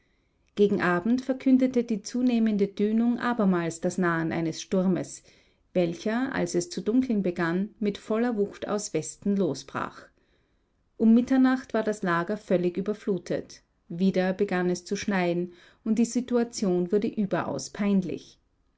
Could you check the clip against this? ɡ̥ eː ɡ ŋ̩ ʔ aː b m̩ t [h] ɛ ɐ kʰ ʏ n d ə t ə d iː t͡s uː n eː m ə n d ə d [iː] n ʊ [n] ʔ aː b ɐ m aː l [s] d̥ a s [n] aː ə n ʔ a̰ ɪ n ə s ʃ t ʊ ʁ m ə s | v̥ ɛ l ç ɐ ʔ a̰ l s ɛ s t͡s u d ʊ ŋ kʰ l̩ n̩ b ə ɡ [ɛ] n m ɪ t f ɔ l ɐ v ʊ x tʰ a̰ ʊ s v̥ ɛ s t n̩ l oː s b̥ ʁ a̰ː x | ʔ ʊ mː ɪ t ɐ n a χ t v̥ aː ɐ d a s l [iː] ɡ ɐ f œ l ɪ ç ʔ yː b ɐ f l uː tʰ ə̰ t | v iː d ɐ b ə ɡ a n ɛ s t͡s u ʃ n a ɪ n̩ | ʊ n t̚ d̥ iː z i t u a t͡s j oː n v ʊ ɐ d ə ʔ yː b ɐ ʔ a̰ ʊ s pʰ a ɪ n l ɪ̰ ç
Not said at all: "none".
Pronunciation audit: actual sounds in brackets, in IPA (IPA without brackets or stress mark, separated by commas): f, yː, ŋ, s, n, a, aː